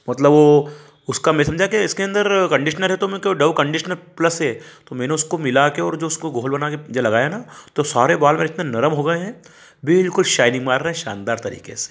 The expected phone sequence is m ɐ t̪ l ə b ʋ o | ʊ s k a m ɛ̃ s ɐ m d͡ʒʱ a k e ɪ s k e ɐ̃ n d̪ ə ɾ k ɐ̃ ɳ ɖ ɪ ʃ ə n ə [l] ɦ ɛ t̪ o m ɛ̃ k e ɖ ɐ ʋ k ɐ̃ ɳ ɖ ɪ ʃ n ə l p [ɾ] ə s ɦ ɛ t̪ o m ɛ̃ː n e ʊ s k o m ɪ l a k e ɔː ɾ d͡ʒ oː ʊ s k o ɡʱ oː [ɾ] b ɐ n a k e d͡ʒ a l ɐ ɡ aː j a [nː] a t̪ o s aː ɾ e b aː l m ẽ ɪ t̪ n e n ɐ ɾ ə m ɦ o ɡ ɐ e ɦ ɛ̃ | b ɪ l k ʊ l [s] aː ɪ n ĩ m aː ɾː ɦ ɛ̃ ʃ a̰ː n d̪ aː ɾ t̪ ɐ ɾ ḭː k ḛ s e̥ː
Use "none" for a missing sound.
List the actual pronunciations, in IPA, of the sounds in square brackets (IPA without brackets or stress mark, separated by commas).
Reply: l, l, l, n, ʃ